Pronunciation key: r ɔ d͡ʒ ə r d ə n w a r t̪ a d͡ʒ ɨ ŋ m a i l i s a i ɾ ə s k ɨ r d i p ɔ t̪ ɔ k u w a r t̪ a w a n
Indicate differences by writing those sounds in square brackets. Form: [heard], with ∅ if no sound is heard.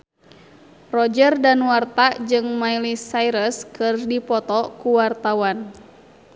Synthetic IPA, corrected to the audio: r ɔ d͡ʒ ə r d [a] n w a r t̪ a d͡ʒ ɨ ŋ m a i l i s a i ɾ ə s k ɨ r d i p ɔ t̪ ɔ k u w a r t̪ a w a n